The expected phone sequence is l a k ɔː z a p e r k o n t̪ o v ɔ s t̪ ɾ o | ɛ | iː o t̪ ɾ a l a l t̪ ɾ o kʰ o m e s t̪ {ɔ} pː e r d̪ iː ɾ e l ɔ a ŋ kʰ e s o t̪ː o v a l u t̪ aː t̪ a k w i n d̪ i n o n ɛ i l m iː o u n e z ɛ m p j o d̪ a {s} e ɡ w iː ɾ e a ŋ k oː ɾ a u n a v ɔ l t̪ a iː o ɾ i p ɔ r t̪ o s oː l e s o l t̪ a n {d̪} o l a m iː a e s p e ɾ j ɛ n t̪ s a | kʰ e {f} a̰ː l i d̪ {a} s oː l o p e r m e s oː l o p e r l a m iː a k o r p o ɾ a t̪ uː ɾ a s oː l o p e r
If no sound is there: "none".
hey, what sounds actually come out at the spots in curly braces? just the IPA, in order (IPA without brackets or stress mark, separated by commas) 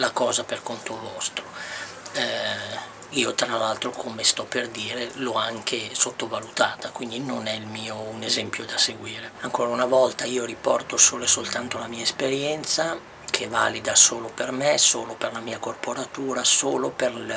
ɔ, s, t̪, v, a